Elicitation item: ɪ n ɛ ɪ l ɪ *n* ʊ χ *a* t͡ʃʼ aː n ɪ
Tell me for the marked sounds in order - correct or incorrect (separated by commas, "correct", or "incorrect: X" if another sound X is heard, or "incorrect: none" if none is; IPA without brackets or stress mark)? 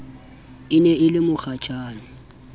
incorrect: m, correct